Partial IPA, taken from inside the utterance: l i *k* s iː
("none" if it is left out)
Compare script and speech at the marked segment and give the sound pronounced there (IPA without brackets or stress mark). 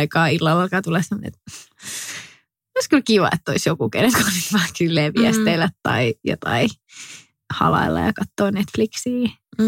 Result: k